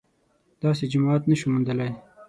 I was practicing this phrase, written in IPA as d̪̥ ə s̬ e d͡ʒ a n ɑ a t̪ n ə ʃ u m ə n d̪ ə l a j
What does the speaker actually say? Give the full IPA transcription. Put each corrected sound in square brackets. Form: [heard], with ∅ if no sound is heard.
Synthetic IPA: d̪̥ [ɑ] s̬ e d͡ʒ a [m] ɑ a t̪ n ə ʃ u m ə n d̪ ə l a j